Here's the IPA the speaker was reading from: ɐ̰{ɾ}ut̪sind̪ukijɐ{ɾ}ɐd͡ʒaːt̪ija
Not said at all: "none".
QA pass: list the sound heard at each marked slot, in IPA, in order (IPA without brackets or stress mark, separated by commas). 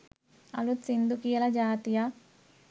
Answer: l, l